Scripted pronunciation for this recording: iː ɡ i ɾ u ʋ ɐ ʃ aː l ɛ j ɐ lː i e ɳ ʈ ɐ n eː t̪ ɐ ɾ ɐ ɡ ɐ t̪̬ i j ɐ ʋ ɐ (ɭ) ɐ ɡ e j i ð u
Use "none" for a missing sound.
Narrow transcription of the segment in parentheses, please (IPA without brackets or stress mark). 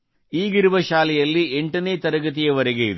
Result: ɾ